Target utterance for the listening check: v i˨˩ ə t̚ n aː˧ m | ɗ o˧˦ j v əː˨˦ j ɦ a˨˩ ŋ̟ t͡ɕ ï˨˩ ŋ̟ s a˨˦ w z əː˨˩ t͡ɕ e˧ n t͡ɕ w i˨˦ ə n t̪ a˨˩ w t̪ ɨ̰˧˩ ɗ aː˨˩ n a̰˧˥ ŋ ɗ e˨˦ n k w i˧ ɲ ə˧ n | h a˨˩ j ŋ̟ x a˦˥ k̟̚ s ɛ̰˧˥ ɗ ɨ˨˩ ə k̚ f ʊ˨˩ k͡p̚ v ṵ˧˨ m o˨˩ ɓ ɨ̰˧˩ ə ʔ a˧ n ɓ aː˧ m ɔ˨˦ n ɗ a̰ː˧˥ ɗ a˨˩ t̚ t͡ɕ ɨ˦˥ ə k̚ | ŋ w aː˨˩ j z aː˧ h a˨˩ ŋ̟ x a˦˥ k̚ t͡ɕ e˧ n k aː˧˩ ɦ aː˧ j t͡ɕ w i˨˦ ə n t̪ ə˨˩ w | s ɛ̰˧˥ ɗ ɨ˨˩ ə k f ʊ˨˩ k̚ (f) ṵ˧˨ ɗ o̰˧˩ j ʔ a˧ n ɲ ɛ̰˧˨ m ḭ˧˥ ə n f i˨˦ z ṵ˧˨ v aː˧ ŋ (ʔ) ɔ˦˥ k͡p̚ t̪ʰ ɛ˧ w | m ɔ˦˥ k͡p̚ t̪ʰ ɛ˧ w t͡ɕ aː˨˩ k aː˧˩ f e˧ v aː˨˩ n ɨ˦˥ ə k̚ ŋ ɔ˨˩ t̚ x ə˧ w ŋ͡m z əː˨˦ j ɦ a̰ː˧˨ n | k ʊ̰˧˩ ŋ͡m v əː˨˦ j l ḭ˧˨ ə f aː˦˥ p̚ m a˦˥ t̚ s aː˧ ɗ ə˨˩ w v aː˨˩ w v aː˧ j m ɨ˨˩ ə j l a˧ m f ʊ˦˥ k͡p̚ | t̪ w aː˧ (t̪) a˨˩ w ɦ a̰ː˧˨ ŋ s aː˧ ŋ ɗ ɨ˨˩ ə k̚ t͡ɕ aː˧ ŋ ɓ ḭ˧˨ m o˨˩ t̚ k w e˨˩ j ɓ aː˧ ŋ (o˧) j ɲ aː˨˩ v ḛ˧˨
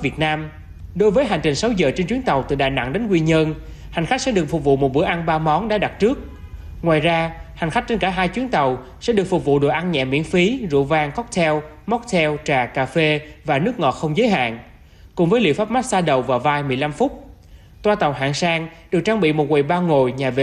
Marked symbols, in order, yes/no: no, no, yes, no

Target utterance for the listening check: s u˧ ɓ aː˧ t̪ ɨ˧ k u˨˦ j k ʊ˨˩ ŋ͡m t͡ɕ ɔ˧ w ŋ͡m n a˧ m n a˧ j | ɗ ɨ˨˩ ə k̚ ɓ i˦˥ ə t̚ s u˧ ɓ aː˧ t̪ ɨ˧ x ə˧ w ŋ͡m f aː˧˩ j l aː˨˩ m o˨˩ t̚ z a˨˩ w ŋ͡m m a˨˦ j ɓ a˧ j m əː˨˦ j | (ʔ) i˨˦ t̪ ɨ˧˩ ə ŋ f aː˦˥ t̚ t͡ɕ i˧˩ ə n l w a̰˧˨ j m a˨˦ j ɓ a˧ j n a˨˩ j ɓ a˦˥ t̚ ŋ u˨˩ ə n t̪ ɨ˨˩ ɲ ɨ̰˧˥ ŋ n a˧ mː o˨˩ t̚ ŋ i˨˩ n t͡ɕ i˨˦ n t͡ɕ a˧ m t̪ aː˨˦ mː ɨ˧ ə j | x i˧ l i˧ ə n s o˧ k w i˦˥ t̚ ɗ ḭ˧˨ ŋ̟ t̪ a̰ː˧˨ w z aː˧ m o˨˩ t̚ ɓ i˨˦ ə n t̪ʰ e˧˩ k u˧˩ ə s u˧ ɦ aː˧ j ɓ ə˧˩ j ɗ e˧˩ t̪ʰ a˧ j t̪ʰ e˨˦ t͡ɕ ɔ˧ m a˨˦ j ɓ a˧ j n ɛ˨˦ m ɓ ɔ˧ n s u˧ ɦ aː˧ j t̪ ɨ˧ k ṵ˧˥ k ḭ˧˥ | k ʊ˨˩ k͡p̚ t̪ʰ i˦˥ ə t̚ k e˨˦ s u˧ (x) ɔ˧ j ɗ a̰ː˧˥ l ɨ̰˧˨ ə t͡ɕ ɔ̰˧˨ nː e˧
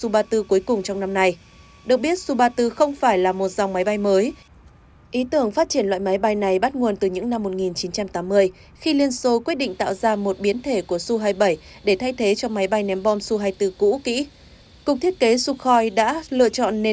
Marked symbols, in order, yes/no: yes, yes

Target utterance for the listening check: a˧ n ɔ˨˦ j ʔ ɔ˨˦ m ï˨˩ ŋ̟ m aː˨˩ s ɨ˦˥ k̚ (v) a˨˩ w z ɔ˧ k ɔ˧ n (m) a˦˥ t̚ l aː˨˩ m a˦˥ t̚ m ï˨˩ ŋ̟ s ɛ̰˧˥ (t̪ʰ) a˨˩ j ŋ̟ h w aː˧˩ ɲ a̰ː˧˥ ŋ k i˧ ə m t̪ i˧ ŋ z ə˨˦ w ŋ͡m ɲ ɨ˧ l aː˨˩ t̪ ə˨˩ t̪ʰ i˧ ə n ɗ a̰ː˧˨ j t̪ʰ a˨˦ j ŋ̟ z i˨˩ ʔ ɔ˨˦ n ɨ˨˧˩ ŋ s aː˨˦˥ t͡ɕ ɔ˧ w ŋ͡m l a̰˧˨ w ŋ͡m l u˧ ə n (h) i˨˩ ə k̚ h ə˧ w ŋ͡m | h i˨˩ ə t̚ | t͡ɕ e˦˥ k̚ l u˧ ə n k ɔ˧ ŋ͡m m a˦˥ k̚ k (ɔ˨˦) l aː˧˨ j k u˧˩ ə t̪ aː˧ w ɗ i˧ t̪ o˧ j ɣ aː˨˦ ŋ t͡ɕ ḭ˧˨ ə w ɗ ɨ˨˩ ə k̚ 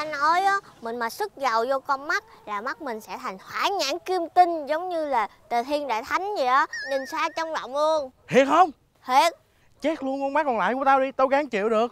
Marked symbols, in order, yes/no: no, yes, yes, yes, no

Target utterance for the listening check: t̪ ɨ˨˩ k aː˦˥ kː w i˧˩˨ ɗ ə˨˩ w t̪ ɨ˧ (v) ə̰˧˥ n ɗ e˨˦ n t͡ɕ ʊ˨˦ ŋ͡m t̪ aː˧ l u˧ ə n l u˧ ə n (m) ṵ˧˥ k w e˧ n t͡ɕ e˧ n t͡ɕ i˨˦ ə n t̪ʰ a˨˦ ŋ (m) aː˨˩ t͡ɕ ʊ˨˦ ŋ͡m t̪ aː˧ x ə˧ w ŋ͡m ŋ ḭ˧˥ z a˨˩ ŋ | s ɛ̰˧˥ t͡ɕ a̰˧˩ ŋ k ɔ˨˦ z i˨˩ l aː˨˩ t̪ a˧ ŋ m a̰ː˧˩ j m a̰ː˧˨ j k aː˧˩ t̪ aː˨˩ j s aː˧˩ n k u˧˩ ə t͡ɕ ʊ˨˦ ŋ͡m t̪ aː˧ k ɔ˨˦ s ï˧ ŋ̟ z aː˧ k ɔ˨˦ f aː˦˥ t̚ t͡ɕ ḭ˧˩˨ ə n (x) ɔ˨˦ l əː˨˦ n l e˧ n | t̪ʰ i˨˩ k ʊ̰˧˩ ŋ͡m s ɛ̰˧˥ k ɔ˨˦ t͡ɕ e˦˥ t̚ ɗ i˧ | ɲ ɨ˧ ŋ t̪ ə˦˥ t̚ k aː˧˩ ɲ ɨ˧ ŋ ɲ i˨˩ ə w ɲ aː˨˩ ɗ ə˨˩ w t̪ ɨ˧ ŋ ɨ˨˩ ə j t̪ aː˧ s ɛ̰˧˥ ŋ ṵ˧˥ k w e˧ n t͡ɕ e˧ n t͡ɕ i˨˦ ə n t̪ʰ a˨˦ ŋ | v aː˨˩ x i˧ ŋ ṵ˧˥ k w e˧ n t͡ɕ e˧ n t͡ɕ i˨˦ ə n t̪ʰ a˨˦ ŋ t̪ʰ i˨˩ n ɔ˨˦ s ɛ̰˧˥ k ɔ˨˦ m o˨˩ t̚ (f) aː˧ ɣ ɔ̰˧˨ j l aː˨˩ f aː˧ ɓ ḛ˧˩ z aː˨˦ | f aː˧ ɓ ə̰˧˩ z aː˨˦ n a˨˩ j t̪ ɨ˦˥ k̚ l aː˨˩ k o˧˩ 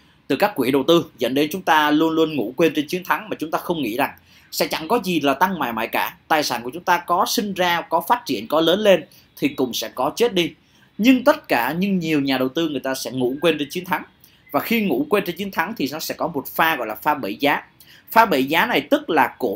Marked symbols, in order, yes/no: no, no, yes, no, yes

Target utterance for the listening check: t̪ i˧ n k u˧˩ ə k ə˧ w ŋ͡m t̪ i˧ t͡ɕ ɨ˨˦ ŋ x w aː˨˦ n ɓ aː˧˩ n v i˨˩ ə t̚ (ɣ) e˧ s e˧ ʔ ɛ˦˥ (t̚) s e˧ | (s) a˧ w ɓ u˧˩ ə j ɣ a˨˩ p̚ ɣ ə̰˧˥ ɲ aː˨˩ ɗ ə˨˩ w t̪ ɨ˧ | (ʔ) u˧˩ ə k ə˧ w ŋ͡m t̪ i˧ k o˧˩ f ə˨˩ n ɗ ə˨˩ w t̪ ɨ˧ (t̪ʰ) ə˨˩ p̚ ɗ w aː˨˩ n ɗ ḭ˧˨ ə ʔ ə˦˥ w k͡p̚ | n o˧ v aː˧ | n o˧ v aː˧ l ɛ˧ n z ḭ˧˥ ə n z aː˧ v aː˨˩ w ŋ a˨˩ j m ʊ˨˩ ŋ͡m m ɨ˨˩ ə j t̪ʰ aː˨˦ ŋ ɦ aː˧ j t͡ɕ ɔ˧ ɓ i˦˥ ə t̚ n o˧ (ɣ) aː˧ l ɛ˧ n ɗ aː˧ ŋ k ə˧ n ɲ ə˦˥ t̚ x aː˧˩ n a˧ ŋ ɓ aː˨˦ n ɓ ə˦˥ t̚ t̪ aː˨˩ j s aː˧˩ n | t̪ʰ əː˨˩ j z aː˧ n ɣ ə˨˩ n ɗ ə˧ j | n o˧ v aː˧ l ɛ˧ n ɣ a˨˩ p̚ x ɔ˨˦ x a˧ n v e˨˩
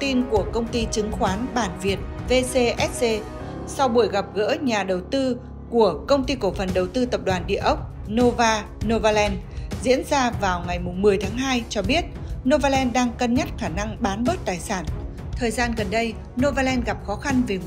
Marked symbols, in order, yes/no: no, yes, yes, no, no, no

